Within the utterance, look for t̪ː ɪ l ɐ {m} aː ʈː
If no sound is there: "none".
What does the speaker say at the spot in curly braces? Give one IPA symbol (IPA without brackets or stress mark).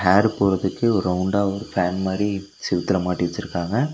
m